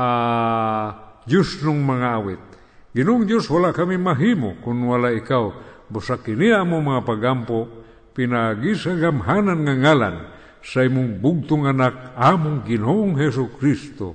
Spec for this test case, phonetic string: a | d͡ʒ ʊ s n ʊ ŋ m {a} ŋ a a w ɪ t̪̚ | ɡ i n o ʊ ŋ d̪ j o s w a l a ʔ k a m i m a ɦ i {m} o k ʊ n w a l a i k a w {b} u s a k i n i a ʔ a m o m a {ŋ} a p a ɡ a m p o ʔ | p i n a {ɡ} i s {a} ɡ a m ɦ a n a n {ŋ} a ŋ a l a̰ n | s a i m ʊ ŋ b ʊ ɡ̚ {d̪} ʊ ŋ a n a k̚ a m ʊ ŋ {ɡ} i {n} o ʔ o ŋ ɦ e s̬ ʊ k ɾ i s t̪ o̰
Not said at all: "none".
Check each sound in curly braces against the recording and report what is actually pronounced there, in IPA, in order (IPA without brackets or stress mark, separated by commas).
a, m, b, ŋ, ɡ, a, ŋ, t̪, ɡ, n